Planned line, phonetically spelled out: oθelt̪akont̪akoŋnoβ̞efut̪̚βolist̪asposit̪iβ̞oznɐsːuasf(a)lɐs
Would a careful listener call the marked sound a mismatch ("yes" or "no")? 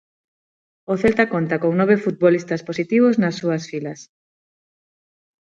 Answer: yes